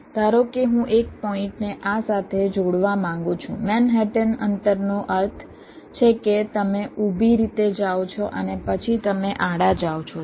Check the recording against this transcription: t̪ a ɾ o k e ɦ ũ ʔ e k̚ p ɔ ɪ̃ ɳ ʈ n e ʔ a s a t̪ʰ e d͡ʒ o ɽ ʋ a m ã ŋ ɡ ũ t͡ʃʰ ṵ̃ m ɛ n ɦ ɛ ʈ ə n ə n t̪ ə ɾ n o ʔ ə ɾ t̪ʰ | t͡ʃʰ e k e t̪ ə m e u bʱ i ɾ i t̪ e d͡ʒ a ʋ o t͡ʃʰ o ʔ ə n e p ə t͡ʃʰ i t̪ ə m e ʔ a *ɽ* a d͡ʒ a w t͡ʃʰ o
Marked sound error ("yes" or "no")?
no